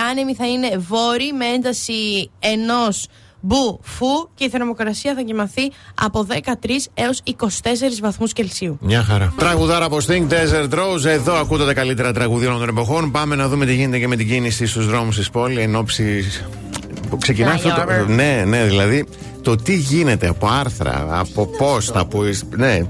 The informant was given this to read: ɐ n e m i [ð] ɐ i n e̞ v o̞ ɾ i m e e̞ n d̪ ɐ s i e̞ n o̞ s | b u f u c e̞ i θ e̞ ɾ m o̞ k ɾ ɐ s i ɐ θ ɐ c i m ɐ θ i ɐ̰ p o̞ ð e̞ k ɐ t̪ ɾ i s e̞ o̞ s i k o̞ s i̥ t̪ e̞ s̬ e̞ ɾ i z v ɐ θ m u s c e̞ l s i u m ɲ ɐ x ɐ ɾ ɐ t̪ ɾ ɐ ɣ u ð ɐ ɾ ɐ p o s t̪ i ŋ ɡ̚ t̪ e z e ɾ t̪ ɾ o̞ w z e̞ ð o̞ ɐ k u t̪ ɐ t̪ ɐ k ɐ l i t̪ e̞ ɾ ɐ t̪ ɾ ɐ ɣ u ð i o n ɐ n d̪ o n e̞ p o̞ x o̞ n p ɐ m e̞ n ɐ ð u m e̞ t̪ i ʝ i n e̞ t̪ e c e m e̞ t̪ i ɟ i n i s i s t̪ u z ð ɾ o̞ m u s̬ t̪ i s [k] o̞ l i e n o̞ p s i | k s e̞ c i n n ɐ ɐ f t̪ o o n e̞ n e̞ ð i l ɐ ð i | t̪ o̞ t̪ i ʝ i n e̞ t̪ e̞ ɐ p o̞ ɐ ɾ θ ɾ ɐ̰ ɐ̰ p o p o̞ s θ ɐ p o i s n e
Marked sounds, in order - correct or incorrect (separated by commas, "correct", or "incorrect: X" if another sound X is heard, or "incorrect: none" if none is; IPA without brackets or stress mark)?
incorrect: θ, incorrect: p